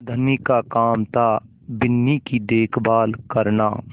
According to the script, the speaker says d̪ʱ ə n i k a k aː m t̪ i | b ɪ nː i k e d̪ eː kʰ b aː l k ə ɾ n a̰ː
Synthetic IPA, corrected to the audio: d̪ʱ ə n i k a k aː m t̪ a | b ɪ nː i k i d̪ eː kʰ b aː l k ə ɾ n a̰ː